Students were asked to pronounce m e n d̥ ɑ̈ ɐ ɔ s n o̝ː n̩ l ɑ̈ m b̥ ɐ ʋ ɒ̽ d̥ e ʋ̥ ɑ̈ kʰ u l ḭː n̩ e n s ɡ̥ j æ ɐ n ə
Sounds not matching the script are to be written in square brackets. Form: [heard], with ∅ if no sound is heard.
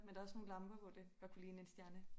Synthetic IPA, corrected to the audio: m e n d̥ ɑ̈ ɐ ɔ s n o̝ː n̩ l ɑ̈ m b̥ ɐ ʋ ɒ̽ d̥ e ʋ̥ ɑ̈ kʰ u l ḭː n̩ e n s [d̥] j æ ɐ n ə